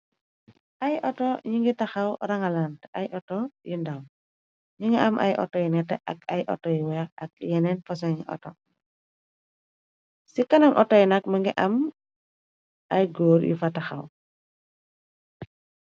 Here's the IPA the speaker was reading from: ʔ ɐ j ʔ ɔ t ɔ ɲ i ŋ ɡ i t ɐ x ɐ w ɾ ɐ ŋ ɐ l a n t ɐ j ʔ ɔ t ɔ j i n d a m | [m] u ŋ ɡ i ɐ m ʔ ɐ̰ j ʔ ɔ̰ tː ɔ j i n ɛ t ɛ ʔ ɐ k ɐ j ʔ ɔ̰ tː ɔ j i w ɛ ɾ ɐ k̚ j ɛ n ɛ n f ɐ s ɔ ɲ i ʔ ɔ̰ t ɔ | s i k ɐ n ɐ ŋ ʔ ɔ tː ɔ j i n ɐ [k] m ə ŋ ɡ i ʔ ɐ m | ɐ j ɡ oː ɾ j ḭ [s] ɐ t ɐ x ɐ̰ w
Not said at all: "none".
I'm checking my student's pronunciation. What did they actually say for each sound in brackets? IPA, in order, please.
ɲ, k, f

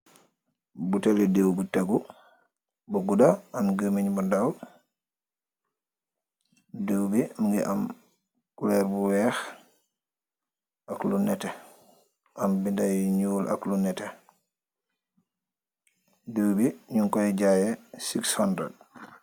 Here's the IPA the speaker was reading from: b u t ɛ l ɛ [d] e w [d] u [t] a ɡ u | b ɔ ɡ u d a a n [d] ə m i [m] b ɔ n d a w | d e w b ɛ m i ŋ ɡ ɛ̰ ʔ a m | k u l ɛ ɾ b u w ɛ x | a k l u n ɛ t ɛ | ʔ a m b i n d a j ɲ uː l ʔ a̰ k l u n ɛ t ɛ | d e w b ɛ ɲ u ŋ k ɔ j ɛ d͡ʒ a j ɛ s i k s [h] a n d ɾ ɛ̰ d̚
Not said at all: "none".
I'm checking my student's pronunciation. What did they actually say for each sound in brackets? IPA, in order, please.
d, b, t, ɡ, ɲ, h

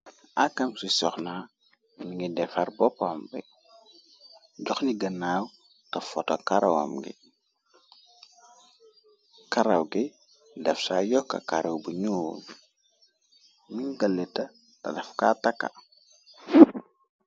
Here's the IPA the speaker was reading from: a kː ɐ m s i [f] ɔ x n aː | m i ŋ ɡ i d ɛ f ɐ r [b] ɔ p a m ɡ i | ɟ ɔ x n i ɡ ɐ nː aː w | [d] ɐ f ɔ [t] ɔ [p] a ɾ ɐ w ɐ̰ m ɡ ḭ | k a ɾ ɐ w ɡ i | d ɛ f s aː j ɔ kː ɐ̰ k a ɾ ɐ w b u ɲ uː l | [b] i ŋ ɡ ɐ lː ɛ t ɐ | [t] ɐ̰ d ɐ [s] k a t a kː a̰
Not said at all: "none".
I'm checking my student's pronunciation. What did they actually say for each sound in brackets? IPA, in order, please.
s, b, t, t, k, m, t, f

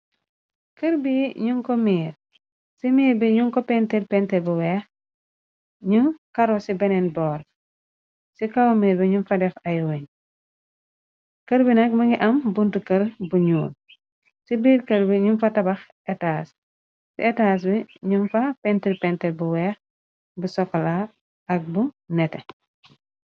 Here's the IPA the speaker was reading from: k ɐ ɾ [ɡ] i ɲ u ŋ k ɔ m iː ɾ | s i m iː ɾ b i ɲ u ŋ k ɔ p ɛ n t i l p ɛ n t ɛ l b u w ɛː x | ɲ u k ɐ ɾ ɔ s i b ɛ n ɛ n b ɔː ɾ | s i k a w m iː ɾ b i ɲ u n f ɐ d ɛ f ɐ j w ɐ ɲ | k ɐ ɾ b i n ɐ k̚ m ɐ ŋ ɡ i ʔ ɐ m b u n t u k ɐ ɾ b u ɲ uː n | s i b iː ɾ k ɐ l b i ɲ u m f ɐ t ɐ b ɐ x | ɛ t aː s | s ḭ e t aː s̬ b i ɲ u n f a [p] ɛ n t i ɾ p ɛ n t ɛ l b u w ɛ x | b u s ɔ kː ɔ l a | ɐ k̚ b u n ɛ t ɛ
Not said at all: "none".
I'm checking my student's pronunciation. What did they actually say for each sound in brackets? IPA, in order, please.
b, p

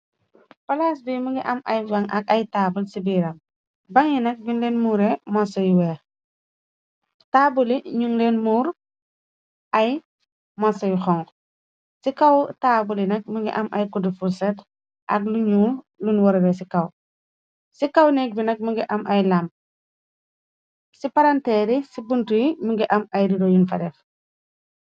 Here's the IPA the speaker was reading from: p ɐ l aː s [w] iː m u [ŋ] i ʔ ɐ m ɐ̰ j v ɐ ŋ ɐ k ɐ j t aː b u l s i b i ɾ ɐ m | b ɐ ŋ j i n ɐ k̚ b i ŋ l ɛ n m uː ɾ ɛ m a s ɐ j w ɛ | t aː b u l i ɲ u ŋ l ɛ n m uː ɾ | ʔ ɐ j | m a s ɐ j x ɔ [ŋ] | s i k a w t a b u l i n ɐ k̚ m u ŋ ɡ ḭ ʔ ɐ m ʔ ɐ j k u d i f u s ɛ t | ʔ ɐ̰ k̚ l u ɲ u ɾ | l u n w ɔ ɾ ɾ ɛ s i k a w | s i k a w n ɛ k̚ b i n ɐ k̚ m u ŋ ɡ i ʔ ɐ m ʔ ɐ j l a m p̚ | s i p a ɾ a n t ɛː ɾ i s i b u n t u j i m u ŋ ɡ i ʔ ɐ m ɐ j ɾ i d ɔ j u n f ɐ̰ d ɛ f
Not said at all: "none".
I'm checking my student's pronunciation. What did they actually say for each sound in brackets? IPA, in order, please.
b, ɡ, ŋ

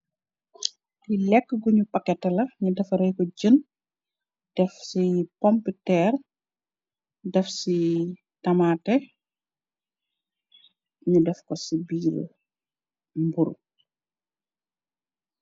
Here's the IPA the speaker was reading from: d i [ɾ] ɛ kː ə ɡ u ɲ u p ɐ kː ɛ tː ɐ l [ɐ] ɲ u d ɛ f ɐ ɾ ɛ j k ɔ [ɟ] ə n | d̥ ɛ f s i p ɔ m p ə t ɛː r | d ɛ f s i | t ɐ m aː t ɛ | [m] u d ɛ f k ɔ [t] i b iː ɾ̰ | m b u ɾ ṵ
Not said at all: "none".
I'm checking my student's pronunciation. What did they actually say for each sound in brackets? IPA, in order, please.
l, ɐ, ɟ, ɲ, s

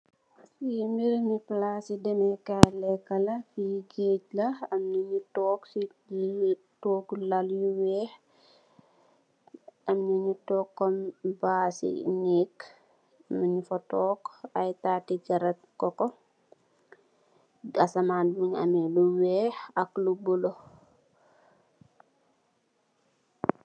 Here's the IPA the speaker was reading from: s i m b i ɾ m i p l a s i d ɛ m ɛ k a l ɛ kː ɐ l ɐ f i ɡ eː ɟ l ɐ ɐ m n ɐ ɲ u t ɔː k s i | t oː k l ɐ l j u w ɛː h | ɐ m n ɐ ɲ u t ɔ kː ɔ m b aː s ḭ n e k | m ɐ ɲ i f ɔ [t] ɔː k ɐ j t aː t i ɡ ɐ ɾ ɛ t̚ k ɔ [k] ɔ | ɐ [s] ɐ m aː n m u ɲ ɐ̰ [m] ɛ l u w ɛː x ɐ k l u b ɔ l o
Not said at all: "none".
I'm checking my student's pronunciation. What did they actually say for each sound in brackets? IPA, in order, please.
t, k, s, m

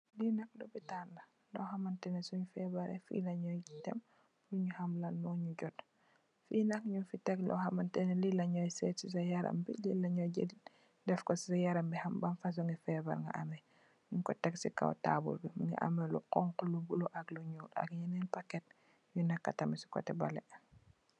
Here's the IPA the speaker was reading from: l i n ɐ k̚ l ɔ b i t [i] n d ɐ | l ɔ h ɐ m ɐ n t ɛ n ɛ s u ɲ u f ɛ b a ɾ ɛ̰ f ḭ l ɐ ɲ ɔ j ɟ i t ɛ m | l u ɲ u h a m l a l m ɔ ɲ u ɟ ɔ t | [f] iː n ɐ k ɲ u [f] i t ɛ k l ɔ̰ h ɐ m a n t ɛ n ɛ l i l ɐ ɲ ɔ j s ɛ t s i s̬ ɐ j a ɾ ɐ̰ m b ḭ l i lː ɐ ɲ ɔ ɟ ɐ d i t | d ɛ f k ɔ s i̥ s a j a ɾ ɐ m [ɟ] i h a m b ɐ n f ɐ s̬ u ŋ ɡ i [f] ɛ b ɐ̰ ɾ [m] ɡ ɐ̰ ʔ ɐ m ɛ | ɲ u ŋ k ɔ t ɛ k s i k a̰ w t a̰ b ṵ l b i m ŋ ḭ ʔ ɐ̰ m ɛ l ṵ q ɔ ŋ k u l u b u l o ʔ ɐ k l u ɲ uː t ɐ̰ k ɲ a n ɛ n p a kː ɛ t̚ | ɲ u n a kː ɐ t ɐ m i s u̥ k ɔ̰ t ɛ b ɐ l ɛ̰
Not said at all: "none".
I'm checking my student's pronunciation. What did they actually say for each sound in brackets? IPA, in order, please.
a, f, f, b, f, ŋ

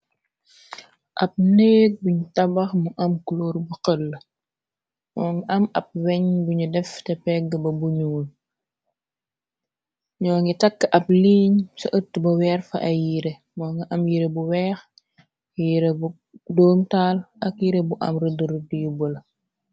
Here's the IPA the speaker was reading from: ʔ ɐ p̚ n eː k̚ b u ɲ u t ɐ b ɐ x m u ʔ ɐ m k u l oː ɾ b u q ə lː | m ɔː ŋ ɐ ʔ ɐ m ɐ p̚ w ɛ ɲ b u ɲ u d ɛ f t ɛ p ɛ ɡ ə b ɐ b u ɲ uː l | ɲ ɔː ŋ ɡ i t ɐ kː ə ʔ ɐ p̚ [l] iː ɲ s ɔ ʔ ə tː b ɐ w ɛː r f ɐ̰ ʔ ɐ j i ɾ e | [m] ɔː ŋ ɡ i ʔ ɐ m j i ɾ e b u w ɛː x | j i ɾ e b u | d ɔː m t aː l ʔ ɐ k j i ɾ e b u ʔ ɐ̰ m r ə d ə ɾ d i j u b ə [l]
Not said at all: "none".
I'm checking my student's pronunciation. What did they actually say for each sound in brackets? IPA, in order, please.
l, m, l

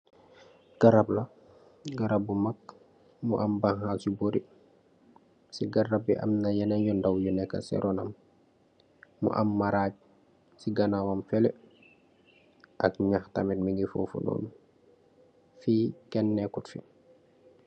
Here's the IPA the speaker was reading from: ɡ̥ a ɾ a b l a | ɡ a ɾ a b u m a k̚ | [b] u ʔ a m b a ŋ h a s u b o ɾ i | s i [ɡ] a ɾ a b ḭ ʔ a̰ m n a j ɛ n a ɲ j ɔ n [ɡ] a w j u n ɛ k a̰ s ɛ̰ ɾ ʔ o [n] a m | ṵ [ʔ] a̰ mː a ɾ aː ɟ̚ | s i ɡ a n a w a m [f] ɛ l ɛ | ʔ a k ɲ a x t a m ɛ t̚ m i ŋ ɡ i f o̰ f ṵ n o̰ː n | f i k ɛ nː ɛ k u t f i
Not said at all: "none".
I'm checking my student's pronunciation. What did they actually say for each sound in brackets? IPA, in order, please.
m, ɡ, d, n, ʔ, f

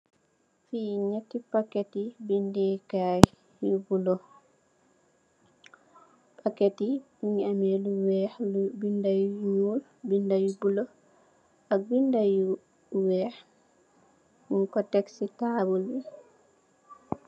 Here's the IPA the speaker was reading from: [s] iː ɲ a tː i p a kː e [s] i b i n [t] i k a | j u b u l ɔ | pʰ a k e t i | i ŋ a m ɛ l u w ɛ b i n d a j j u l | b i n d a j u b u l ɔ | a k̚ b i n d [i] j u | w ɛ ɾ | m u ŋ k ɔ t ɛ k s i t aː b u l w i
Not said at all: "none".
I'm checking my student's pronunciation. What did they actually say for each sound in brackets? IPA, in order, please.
f, t, d, a

